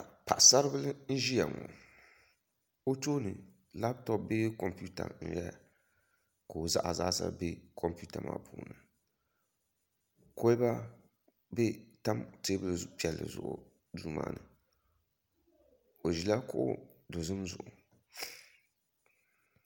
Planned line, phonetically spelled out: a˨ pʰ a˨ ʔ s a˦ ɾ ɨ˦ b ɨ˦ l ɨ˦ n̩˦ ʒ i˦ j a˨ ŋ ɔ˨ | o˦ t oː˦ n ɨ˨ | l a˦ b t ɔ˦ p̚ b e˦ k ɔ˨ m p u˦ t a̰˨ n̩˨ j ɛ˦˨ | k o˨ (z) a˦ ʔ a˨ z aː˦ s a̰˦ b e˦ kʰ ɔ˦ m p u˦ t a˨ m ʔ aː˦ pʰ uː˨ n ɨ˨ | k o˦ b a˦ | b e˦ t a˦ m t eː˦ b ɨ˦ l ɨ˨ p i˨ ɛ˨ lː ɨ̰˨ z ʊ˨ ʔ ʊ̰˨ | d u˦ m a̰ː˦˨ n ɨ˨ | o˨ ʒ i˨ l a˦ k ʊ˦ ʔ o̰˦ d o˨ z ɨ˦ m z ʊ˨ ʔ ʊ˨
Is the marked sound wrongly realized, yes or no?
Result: no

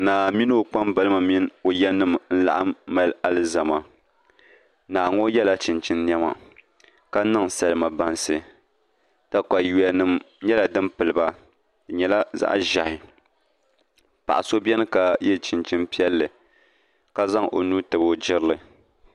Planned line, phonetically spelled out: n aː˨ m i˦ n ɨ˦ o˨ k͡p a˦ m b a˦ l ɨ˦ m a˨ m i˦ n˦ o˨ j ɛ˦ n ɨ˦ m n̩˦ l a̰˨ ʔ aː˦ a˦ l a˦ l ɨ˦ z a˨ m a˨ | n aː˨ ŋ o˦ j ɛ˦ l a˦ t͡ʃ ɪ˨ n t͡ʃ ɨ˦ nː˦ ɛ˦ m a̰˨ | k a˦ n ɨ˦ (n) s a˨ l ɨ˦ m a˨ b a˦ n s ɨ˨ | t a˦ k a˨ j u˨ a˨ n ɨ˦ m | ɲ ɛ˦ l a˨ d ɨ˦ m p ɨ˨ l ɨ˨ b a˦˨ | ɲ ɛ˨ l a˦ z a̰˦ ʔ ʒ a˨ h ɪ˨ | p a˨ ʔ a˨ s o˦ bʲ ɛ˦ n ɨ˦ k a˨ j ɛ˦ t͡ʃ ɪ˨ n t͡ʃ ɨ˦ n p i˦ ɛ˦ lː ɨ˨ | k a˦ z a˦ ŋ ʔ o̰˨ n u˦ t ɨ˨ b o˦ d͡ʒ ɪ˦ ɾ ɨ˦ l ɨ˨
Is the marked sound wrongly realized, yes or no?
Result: yes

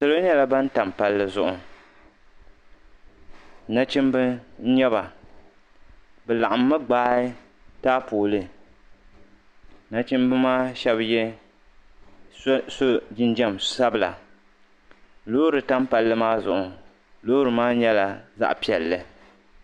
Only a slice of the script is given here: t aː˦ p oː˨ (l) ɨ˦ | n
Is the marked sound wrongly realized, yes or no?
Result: no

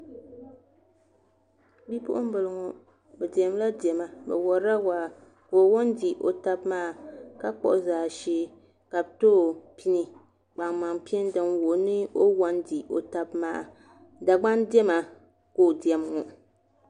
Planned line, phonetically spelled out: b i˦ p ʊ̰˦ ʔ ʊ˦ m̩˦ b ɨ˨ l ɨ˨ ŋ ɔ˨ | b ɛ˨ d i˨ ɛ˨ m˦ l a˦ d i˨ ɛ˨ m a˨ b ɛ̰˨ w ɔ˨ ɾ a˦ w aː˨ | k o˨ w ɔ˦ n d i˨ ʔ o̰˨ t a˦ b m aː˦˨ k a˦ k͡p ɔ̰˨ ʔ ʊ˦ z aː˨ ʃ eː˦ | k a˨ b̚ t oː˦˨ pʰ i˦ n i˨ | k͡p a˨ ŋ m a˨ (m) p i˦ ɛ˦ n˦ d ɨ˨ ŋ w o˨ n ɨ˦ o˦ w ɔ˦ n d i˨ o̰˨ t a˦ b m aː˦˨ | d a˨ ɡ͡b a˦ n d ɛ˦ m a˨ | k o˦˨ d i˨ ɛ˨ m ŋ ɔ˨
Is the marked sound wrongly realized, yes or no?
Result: yes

